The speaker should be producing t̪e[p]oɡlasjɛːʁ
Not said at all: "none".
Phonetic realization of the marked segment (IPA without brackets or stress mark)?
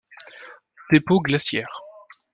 p